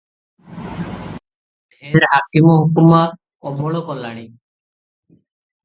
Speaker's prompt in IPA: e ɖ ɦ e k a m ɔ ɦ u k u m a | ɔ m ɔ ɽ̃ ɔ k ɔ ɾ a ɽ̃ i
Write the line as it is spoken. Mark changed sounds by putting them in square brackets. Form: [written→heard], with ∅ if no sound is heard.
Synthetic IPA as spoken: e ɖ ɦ [e→a] k [a→i] m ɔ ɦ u k u m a | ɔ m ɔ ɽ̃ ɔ k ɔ [ɾ→l] a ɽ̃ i